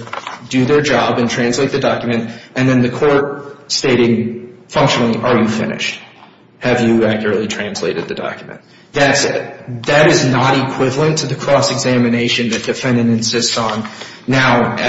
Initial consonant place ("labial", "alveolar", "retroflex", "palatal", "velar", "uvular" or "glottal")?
alveolar